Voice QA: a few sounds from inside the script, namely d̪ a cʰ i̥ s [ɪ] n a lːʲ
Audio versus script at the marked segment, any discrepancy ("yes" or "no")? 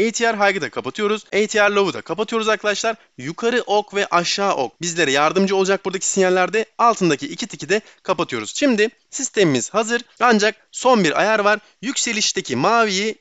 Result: yes